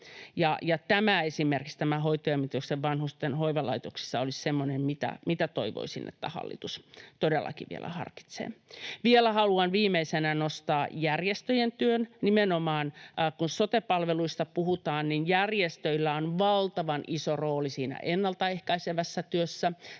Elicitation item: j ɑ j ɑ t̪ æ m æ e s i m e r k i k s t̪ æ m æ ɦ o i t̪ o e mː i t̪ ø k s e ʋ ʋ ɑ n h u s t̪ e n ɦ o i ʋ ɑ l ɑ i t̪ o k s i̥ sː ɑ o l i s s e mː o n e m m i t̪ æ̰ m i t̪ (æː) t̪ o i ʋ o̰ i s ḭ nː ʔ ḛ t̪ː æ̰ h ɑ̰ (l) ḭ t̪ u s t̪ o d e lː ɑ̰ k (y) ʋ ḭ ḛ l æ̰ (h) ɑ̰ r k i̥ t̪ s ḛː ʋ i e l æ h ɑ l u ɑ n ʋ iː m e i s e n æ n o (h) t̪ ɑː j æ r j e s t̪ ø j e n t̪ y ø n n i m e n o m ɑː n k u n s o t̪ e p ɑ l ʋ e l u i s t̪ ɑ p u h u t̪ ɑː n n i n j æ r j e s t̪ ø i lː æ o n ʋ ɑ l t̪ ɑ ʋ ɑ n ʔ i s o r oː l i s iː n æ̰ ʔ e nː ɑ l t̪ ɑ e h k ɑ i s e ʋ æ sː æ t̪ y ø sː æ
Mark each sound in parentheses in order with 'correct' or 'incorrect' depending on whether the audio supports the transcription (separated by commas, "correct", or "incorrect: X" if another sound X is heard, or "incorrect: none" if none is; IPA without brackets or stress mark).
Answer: incorrect: æ, incorrect: lː, incorrect: i, correct, incorrect: s